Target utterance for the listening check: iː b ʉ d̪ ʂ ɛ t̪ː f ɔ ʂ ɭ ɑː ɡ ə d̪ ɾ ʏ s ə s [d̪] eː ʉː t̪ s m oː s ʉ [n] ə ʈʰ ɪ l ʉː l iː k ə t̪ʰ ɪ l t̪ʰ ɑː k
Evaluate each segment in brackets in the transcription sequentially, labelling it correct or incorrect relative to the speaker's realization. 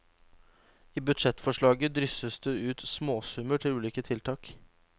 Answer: correct, incorrect

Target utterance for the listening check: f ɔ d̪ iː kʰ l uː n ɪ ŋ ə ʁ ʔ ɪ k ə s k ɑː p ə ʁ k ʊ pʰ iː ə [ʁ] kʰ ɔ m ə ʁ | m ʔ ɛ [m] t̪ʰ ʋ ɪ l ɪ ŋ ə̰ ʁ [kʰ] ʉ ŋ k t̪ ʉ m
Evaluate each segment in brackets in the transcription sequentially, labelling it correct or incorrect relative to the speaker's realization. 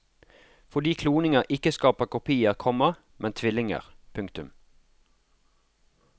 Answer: correct, incorrect, incorrect

